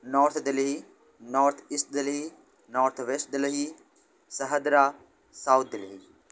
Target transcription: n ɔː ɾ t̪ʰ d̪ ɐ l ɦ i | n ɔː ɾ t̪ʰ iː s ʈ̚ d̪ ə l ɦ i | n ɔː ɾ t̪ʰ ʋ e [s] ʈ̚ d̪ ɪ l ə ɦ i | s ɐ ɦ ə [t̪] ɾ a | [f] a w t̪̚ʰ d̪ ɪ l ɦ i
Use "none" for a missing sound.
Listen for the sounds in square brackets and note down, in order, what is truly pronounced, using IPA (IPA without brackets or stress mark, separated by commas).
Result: s, d̪, s